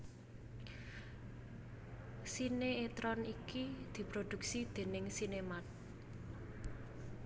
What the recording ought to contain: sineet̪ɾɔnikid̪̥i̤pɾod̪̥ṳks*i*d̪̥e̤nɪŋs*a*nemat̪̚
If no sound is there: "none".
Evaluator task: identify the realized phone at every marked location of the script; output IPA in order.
i, i

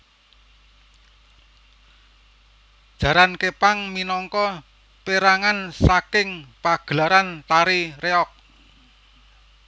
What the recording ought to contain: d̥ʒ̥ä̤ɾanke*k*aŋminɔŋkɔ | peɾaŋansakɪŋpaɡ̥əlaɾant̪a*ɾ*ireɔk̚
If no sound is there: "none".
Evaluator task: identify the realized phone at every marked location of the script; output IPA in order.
p, ɾ

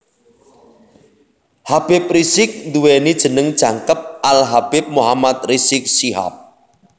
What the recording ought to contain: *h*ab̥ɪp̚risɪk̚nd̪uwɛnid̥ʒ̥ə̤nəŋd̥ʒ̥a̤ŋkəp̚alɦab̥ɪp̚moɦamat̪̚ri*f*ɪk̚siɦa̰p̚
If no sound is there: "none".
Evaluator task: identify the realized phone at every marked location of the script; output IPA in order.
h, s

